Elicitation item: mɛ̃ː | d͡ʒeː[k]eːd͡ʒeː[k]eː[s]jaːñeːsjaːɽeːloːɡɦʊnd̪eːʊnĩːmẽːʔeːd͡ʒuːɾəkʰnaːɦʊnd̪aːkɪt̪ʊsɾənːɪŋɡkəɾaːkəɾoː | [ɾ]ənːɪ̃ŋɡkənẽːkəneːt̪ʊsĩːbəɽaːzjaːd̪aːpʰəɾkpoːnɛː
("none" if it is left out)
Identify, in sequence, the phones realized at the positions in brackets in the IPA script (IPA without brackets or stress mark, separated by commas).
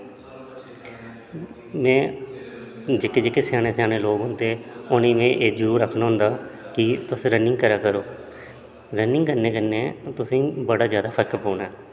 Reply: k, k, s, ɾ